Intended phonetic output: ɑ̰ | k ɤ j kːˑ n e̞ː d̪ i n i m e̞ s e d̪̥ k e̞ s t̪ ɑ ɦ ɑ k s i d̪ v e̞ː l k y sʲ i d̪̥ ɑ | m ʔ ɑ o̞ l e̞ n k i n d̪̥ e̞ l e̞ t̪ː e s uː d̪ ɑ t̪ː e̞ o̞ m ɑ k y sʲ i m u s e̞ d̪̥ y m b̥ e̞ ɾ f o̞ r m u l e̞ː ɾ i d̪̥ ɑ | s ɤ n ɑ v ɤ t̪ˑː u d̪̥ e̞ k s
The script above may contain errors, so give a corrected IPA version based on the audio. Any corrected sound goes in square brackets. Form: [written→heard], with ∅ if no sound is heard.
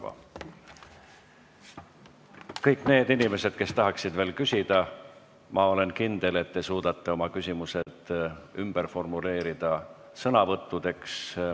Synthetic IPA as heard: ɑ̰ | k ɤ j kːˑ n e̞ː d̪ i n i m e̞ s e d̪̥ k e̞ s t̪ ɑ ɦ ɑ k s i d̪ v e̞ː l k y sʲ i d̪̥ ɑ | m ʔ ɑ o̞ l e̞ n k i n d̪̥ e̞ l e̞ t̪ː e s uː d̪ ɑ t̪ː e̞ o̞ m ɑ k y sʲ i m u s e̞ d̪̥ y m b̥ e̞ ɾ f o̞ r m u l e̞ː ɾ i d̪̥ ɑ | s ɤ n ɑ v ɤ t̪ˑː u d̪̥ e̞ k s